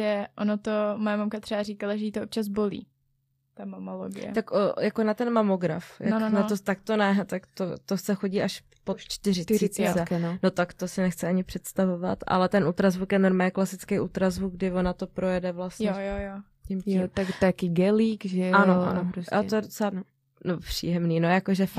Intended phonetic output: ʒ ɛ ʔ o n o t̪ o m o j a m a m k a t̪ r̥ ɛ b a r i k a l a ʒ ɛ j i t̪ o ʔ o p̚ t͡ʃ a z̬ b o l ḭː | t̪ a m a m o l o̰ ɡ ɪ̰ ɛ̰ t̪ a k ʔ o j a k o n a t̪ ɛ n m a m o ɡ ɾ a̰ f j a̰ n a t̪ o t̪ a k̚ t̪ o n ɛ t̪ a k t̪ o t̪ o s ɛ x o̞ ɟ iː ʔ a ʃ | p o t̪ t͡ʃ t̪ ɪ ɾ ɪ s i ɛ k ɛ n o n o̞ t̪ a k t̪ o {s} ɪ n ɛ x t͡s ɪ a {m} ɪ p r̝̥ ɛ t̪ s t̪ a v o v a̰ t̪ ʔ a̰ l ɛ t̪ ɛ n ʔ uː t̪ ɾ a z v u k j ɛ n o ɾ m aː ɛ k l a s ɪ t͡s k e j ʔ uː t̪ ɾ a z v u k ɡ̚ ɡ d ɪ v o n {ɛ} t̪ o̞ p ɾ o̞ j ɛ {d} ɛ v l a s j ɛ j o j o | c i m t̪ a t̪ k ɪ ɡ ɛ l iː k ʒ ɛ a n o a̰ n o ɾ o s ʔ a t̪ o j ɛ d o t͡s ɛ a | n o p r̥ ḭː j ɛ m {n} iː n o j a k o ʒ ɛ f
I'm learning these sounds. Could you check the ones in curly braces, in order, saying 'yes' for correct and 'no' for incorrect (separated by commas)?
yes, no, no, yes, yes